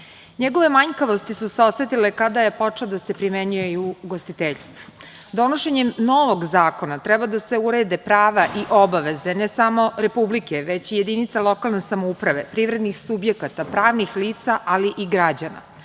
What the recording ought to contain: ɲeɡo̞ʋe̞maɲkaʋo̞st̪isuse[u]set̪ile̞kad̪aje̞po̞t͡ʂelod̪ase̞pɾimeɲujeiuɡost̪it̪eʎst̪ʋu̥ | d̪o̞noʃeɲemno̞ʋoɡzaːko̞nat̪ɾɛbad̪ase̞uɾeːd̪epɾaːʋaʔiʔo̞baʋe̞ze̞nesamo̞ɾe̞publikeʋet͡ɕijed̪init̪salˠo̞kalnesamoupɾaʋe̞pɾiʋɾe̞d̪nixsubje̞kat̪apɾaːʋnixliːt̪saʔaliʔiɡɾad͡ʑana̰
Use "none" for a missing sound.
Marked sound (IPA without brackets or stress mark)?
o